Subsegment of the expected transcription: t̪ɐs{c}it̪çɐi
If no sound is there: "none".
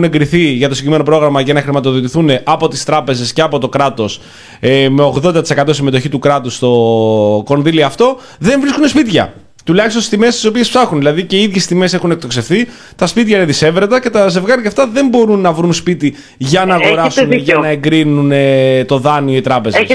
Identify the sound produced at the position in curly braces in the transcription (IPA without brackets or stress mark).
p